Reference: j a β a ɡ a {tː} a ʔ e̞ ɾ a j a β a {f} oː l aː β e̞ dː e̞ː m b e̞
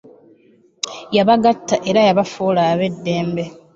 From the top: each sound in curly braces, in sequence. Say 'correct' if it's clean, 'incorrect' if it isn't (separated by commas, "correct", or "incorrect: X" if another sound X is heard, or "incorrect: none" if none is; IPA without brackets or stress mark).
correct, correct